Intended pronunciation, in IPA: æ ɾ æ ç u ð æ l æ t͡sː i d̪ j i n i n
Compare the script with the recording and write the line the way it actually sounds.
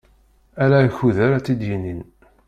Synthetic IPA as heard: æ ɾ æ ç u ð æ ɾ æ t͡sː i d̪ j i n i n